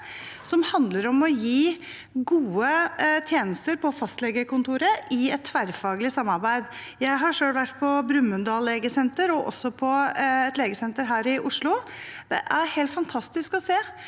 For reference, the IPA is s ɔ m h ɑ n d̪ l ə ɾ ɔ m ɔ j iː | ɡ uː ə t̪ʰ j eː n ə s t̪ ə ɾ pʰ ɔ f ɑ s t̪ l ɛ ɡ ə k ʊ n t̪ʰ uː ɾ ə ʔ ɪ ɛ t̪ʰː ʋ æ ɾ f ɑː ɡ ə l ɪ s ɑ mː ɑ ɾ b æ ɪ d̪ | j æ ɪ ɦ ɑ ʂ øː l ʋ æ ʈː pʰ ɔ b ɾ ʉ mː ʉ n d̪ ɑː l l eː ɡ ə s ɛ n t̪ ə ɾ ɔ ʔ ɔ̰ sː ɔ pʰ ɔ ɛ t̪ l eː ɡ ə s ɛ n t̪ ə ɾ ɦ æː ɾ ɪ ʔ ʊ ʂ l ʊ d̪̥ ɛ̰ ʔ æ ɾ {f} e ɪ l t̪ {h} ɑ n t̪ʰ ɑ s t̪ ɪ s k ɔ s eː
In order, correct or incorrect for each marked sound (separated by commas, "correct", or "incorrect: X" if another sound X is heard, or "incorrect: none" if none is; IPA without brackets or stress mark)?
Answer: incorrect: h, incorrect: f